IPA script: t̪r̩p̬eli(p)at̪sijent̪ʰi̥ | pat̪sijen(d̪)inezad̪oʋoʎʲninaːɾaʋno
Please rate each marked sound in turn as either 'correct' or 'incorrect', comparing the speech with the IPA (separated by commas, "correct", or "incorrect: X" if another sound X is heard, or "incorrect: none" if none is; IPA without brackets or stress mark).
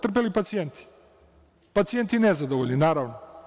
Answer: correct, incorrect: t̪